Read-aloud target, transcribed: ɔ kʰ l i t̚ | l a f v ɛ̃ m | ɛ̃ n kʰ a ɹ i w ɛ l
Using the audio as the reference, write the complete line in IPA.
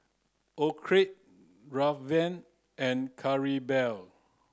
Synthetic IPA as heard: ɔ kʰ ɹ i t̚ | ɹ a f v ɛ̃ n | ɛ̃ n kʰ a ɹ i b ɛ l